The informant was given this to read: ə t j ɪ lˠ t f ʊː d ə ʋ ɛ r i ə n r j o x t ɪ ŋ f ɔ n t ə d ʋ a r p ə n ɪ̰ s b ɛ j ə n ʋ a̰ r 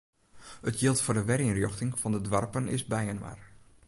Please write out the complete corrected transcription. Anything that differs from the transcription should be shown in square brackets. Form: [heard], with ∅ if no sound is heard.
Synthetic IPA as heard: ə t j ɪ lˠ t f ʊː d ə ʋ ɛ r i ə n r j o x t ɪ ŋ f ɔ n [d] ə d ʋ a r p ə n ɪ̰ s b ɛ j ə n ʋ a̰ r